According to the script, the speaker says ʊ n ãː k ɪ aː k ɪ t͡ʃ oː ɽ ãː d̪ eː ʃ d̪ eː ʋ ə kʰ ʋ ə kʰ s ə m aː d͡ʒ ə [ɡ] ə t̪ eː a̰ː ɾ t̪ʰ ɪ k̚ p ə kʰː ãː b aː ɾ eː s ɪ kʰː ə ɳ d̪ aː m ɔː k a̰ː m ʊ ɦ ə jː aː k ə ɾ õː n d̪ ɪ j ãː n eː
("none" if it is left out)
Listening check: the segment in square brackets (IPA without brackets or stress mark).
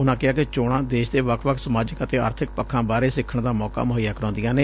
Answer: k